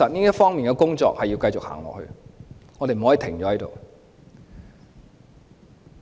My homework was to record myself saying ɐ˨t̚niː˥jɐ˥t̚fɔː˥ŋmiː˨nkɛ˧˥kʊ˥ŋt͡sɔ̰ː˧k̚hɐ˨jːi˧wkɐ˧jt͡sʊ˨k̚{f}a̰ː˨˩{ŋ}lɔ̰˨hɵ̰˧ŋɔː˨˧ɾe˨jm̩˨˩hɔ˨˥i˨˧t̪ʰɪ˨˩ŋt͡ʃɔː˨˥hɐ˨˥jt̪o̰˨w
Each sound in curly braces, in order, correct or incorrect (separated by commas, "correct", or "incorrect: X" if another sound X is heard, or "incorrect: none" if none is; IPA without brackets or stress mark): incorrect: h, correct